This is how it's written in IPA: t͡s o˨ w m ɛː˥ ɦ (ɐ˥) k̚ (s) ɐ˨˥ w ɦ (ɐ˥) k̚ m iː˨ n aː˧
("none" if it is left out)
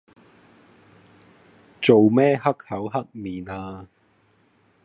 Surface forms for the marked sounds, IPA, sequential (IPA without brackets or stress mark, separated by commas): ɐ˥, h, ɐ˥